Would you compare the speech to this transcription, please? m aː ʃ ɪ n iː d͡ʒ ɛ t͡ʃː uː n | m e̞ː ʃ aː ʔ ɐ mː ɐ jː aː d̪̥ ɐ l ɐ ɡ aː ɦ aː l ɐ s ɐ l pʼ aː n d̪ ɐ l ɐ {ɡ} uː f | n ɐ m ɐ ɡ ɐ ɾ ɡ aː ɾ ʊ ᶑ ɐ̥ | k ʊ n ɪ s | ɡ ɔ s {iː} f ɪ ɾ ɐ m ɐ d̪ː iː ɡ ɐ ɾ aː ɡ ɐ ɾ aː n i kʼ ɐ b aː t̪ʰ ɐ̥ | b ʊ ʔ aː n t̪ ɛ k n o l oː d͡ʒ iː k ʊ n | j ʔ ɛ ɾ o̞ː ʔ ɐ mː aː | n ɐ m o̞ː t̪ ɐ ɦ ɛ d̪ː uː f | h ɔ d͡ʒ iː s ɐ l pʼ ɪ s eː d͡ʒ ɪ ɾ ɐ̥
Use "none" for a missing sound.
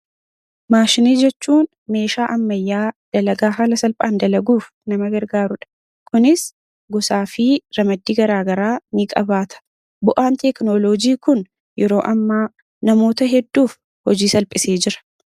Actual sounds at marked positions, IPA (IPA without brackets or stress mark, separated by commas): ɡ, aː